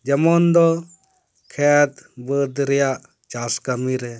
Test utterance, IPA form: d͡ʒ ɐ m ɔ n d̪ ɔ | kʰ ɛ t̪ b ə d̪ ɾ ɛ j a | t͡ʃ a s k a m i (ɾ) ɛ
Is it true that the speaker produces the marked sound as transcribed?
yes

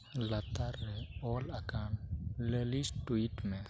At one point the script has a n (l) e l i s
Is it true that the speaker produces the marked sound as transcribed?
yes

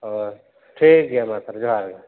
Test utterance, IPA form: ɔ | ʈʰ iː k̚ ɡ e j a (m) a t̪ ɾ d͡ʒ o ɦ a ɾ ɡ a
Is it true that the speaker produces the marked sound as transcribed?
yes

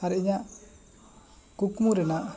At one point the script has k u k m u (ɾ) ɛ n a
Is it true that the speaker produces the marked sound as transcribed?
yes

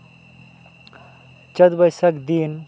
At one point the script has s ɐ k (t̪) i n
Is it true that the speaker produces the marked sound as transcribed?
no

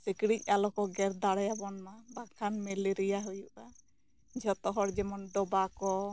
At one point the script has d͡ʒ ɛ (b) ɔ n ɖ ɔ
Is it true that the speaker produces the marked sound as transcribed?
no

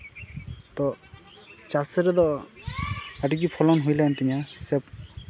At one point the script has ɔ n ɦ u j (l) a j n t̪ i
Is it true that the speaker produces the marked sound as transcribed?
yes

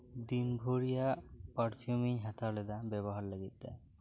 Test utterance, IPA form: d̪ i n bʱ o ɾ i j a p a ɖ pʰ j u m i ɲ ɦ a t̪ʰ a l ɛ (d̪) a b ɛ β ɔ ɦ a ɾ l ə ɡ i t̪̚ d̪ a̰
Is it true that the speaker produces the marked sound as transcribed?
yes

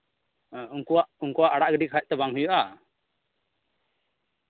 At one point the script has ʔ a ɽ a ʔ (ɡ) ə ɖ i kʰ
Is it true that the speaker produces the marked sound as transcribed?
yes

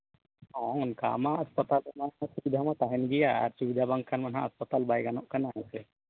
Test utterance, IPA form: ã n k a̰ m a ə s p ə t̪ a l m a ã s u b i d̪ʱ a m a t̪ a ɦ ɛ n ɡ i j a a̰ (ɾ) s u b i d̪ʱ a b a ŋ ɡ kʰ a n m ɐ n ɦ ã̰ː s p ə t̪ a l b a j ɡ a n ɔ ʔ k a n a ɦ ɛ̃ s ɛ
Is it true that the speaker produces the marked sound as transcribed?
yes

